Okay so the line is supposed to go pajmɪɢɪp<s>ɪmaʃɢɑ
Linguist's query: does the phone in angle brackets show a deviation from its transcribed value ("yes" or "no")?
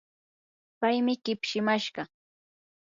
yes